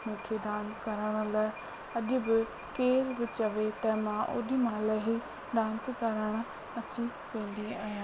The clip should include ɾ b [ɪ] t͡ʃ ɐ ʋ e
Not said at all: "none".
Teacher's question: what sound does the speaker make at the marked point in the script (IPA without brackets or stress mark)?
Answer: ɪ